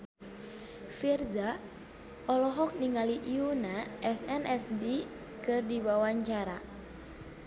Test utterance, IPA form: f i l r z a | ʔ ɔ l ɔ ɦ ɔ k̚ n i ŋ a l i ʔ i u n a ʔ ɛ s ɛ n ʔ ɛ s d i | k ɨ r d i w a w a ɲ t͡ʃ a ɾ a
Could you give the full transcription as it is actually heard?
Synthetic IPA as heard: f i r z a | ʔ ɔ l ɔ ɦ ɔ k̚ n i ŋ a l i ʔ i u n a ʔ ɛ s ɛ n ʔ ɛ s d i | k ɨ r d i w a w a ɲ t͡ʃ a ɾ a